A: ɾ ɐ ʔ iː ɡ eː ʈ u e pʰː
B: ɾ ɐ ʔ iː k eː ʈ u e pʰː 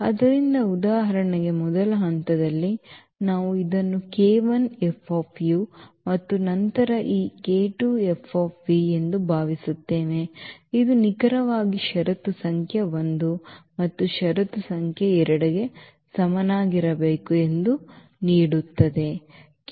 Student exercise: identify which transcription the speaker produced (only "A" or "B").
B